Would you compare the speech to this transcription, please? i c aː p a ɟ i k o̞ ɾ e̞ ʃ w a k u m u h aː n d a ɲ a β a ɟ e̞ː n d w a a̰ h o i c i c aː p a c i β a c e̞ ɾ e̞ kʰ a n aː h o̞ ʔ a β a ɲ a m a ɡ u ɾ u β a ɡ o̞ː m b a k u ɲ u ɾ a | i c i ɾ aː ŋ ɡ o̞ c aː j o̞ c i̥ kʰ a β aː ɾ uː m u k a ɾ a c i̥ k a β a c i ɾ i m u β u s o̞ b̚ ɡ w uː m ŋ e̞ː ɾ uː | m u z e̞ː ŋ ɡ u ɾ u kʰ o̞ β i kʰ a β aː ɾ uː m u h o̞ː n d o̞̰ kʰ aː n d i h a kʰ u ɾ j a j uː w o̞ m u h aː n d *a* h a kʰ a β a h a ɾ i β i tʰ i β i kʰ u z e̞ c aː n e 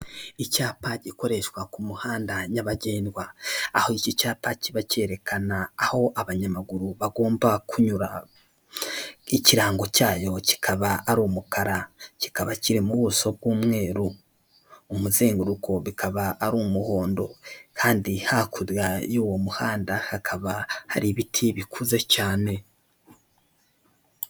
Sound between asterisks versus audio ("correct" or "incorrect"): correct